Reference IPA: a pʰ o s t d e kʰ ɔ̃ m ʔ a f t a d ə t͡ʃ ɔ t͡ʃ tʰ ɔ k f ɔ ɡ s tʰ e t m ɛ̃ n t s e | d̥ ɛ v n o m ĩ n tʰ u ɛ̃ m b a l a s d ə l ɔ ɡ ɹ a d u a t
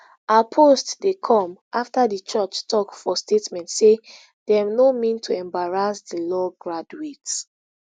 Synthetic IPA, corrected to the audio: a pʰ o s t d e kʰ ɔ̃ m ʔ a f t a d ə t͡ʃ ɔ t͡ʃ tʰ ɔ k f ɔ s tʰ e t m ɛ̃ n t s e | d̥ ɛ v n o m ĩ n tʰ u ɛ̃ m b a ɹ a s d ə l ɔ ɡ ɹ a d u e t